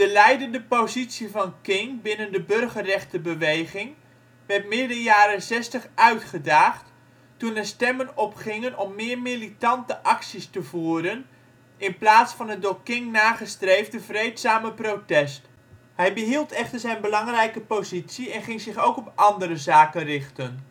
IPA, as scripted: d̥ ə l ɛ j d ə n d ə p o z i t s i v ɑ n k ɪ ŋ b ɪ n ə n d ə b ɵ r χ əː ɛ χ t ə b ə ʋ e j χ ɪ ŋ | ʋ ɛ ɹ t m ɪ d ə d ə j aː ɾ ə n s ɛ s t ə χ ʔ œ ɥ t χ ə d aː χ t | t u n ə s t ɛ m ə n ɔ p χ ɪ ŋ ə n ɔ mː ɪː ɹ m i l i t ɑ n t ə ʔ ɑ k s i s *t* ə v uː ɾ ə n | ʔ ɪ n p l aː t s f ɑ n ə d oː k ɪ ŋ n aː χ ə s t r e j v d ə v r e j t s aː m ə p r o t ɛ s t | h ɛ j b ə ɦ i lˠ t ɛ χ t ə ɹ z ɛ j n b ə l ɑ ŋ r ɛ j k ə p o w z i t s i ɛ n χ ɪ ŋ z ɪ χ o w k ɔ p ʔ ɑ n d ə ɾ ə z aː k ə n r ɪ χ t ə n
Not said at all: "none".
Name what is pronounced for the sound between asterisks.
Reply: t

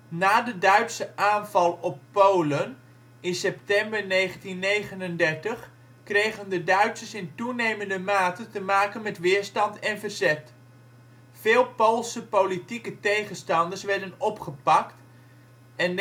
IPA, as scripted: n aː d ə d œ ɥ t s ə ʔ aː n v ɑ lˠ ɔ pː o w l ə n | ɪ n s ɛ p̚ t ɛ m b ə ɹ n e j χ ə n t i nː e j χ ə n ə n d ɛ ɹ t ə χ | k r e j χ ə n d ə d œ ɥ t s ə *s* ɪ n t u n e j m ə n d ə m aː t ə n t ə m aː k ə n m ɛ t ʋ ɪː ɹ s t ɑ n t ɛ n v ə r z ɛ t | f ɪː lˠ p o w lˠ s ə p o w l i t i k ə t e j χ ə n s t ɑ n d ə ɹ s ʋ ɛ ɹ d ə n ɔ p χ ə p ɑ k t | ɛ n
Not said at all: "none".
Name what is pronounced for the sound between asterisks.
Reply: s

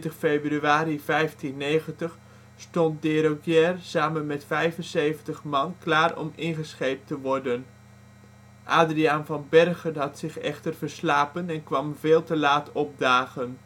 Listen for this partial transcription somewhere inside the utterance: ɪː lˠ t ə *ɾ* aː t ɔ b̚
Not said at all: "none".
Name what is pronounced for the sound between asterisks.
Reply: l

